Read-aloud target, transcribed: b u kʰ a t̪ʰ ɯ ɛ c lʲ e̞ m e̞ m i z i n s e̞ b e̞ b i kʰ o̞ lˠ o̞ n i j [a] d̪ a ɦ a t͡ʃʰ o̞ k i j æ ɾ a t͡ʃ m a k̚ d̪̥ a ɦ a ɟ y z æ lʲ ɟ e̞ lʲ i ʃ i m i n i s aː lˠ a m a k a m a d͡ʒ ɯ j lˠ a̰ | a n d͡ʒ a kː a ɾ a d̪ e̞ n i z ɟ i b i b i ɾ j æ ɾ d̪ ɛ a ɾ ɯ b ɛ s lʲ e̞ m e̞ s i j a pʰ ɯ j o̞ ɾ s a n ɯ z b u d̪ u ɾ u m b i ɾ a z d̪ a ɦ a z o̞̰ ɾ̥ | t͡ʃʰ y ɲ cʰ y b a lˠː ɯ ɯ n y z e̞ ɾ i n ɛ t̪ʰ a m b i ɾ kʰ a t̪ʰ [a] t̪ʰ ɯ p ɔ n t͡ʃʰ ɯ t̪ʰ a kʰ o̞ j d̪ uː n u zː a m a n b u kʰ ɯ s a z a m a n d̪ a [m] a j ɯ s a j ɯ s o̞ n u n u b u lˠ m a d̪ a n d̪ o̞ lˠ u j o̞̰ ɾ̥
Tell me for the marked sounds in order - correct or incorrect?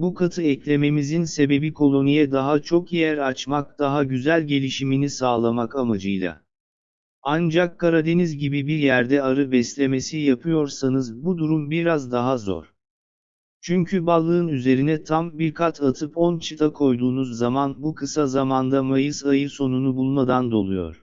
incorrect, correct, correct

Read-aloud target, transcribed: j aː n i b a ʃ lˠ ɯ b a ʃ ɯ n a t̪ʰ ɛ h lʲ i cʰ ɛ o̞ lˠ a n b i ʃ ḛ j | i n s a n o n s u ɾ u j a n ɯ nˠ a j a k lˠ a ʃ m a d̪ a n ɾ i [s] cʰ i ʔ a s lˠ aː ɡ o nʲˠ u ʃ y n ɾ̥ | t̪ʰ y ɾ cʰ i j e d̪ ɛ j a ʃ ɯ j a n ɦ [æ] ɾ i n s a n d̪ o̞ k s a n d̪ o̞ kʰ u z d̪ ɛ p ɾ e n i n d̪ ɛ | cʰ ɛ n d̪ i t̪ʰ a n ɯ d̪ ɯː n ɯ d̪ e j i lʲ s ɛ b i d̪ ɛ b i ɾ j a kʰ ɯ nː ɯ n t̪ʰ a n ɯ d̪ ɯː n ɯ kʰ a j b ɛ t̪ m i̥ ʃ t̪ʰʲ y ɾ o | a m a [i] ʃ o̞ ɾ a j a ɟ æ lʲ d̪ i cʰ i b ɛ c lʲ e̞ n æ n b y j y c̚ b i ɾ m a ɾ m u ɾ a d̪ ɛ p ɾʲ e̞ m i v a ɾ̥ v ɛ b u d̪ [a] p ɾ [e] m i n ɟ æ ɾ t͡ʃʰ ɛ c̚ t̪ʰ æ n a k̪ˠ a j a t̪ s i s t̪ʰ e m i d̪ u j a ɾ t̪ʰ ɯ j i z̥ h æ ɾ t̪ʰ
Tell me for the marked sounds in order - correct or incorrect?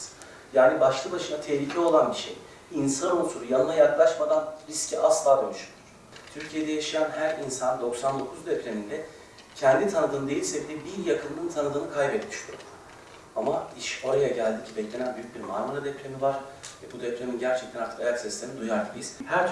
correct, correct, correct, incorrect, correct

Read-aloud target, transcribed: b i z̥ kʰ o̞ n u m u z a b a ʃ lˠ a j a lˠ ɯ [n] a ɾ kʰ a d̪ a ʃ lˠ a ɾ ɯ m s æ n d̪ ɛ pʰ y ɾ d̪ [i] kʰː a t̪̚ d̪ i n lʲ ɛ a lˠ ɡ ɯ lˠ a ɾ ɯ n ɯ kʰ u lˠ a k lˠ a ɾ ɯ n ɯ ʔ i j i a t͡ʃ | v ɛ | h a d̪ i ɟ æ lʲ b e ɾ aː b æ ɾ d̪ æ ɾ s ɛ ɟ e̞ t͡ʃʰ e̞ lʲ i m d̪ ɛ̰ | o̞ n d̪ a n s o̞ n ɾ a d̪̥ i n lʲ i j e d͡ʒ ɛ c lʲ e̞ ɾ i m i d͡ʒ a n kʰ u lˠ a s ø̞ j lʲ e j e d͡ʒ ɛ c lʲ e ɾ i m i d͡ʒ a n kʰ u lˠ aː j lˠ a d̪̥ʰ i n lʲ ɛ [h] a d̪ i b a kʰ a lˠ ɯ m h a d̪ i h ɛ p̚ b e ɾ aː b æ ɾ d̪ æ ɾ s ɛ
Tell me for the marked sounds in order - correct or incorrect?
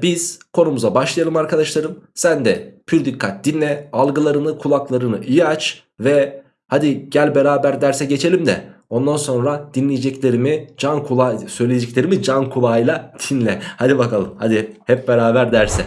incorrect, correct, correct

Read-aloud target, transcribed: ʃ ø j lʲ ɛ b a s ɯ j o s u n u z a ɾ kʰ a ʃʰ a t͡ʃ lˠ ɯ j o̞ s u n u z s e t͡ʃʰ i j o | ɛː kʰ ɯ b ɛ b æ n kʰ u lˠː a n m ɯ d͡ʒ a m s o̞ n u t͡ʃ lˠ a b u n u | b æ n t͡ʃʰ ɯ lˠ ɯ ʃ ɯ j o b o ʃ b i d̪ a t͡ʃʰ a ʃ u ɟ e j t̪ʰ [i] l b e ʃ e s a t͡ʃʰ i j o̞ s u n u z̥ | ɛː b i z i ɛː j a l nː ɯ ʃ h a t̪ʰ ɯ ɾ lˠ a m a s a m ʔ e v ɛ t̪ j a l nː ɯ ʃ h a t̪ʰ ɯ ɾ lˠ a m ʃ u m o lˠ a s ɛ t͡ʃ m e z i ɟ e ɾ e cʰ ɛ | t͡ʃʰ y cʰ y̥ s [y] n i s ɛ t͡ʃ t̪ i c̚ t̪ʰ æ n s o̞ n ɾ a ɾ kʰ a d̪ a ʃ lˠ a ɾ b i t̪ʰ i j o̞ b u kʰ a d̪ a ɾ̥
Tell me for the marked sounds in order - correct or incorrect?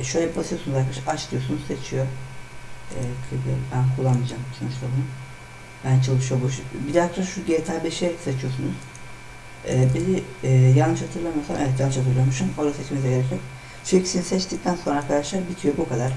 incorrect, incorrect

